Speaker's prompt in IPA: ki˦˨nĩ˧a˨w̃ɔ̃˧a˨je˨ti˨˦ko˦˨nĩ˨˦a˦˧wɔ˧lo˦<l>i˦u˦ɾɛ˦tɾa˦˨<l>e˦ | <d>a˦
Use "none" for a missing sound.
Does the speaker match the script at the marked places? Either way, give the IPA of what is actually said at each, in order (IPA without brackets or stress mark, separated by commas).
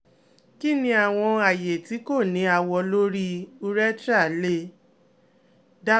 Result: ɾ, l, d